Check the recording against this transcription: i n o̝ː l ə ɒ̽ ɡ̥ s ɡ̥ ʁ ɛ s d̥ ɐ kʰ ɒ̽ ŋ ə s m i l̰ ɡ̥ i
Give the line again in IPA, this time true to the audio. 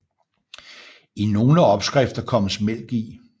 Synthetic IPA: i n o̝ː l ə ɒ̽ b̥ s ɡ̥ ʁ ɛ f d̥ ɐ kʰ ɒ̽ m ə s m e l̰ ɡ̥ i

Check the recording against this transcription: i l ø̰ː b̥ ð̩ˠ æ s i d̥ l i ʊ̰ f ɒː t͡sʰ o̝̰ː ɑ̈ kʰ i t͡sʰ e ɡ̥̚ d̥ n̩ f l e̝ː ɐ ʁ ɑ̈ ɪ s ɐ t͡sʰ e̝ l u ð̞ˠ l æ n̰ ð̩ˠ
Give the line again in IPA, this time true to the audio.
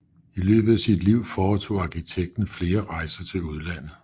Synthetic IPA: i l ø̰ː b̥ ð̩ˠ æ s i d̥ l i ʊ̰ f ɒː t͡sʰ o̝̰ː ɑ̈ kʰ i t͡sʰ e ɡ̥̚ d̥ n̩ f l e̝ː ɐ ʁ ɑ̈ ɪ s ɐ t͡sʰ e̝ l u ð̞ˠ l æ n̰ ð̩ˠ

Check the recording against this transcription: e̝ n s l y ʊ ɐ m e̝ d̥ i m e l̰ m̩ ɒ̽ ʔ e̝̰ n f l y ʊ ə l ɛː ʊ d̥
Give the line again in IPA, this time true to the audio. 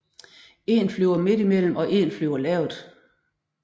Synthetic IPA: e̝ n f l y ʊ ɐ m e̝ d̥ i m e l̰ m̩ ɒ̽ ʔ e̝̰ n f l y ʊ ɐ l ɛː ʊ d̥

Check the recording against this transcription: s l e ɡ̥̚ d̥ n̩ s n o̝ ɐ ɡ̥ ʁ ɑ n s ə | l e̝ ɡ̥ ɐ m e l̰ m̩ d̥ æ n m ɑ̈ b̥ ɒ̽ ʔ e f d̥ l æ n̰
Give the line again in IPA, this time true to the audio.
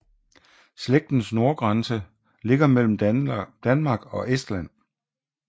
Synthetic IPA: s l e ɡ̥̚ d̥ n̩ s n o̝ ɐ ɡ̥ ʁ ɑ n s ə | l e̝ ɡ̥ ɐ m e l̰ m̩ d̥ æ n m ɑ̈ ɡ̥ ɒ̽ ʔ e s d̥ l æ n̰

